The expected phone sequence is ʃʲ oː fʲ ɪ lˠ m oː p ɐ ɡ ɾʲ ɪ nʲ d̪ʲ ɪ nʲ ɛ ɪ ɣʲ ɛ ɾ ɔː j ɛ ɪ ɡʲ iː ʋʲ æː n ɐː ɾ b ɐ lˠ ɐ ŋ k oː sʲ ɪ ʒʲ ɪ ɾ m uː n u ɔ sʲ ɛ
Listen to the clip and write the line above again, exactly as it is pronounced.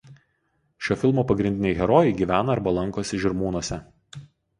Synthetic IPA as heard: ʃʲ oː fʲ ɪ lˠ m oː p ɐ ɡ ɾʲ ɪ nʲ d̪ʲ ɪ nʲ ɛ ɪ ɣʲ ɛ ɾ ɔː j ɛ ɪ ɡʲ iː ʋʲ æː n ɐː ɾ b ɐ lˠ ɐ ŋ k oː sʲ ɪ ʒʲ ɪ ɾ m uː n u ɔ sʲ ɛ